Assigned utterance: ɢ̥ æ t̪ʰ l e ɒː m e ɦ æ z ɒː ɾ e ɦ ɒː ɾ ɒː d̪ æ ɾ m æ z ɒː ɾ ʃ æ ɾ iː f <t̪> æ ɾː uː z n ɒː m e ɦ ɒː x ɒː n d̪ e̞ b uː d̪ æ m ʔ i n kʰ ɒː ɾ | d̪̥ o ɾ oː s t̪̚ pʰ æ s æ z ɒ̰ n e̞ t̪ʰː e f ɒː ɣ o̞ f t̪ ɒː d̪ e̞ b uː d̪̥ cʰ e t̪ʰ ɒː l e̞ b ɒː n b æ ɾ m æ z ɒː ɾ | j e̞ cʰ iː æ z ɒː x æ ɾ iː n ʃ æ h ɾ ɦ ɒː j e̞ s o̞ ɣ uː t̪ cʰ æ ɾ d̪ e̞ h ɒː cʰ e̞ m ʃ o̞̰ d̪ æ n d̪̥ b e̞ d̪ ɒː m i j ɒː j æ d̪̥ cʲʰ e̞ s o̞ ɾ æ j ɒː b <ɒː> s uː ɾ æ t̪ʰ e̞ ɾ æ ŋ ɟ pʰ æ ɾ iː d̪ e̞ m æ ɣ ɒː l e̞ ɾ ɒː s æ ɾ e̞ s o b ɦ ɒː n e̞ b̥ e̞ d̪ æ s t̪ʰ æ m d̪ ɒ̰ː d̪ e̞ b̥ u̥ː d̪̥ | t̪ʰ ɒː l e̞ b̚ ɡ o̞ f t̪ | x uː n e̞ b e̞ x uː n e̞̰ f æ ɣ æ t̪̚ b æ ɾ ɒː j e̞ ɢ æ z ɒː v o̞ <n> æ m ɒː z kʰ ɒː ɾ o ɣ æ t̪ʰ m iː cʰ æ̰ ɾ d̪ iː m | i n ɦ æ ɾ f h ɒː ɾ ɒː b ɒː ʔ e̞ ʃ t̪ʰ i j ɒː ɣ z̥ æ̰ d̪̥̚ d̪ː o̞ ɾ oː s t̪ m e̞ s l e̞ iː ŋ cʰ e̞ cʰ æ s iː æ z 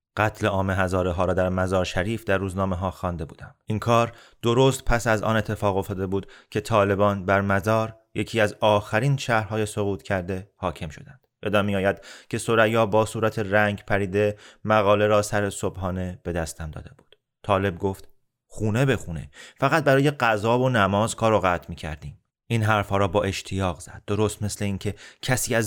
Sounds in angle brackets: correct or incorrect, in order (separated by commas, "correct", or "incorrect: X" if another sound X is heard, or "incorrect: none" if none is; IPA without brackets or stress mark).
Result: incorrect: d̪, correct, correct